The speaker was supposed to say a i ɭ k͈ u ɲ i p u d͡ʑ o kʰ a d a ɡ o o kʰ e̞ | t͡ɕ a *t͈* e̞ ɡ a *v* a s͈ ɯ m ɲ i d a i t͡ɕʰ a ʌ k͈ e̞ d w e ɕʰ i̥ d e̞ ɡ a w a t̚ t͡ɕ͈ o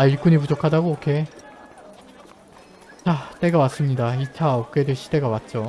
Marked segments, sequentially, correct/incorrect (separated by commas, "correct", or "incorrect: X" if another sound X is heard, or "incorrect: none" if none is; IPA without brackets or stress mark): correct, incorrect: w